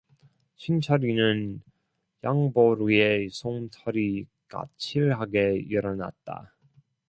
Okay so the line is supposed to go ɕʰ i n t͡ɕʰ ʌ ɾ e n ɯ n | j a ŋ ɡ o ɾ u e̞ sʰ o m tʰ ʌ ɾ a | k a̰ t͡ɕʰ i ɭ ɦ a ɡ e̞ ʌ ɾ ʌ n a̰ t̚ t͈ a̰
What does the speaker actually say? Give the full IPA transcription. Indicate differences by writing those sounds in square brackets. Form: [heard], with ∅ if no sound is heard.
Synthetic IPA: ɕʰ i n t͡ɕʰ ʌ ɾ [i] n ɯ n | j a ŋ [b] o ɾ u e̞ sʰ o [ŋ] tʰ ʌ ɾ [i] | k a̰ t͡ɕʰ i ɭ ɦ a ɡ e̞ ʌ ɾ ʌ n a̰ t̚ t͈ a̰

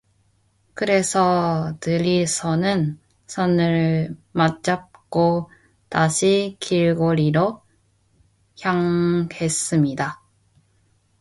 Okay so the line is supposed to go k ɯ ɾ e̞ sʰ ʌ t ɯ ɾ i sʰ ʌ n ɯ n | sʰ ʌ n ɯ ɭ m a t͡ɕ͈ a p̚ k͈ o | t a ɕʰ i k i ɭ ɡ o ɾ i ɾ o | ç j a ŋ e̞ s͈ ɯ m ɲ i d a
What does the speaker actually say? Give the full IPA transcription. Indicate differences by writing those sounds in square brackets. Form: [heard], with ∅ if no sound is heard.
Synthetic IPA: k ɯ ɾ e̞ sʰ ʌ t ɯ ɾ i sʰ ʌ n ɯ n | sʰ ʌ n ɯ ɭ m a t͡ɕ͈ a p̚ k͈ o | t a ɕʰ i k i ɭ ɡ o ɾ i ɾ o | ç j a ŋ e̞ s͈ ɯ m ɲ i d a

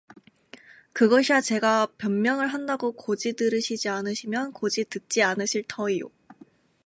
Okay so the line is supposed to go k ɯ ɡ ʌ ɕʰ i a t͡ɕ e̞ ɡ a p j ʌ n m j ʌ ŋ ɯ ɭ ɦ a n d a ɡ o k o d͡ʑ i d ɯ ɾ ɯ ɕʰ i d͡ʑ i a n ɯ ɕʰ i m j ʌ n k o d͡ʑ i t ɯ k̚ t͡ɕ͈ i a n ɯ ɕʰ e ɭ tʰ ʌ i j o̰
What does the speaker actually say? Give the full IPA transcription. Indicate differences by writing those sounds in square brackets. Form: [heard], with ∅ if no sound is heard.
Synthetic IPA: k ɯ ɡ ʌ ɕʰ i a t͡ɕ e̞ ɡ a p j ʌ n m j ʌ ŋ ɯ ɭ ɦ a n d a ɡ o k o d͡ʑ i d ɯ ɾ ɯ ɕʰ i d͡ʑ i a n ɯ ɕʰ i m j ʌ n k o d͡ʑ i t ɯ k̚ t͡ɕ͈ i a n ɯ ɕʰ [i] ɭ tʰ ʌ i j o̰

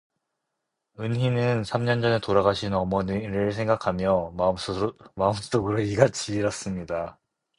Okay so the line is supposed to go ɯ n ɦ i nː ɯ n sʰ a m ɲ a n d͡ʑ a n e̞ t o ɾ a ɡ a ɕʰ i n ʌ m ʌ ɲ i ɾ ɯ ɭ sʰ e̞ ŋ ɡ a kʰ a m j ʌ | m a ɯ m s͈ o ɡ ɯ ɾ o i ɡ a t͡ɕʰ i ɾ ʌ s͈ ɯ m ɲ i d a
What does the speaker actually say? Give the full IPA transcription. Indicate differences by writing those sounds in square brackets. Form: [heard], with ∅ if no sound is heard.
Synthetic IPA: ɯ n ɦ i [n] ɯ n sʰ a m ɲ [ʌ] n d͡ʑ [ʌ] n e̞ t o ɾ a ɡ a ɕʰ i n ʌ m ʌ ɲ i ɾ ɯ ɭ sʰ e̞ ŋ ɡ a kʰ a m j ʌ | m a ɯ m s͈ o ɡ ɯ ɾ o i ɡ a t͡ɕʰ i ɾ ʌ s͈ ɯ m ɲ i d a

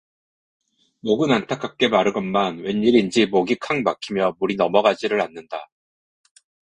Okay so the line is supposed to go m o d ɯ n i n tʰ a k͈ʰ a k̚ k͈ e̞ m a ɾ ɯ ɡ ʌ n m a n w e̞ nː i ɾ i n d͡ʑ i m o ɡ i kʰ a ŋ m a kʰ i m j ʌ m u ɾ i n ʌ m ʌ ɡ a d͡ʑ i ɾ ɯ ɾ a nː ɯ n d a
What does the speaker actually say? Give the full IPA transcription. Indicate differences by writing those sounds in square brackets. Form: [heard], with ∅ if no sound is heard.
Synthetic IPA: m o [ɡ] ɯ n [a] n tʰ a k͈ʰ a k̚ k͈ e̞ m a ɾ ɯ ɡ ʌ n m a n w e̞ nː i ɾ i n d͡ʑ i m o ɡ i kʰ a ŋ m a kʰ i m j ʌ m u ɾ i n ʌ m ʌ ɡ a d͡ʑ i ɾ ɯ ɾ a nː ɯ n d a

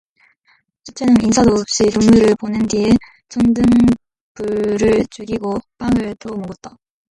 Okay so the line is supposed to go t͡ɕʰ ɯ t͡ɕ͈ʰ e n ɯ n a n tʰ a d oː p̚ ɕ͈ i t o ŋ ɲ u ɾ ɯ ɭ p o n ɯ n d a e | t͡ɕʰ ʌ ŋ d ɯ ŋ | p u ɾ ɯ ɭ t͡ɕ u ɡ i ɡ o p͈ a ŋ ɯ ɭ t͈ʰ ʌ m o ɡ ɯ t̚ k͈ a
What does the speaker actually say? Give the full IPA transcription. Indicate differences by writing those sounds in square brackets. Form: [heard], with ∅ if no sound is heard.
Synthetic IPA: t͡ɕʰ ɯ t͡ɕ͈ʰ e n ɯ n [i] n [sʰ] a d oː p̚ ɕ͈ i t o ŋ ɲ u ɾ ɯ ɭ p o n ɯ n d [i] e | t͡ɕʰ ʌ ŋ d ɯ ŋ | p u ɾ ɯ ɭ t͡ɕ u ɡ i ɡ o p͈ a ŋ ɯ ɭ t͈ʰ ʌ m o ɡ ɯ t̚ [t͈] a

